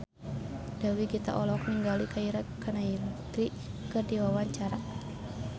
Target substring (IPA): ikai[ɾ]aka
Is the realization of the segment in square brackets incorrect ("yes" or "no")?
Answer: no